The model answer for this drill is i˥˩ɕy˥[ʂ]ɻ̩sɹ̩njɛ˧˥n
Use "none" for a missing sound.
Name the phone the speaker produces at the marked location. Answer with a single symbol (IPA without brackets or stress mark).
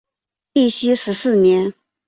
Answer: ʂ